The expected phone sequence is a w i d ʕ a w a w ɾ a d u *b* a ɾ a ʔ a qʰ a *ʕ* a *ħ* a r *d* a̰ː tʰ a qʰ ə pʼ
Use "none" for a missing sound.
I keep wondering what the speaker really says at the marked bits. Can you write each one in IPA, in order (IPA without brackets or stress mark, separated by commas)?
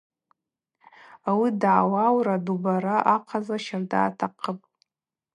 b, z, ʃ, d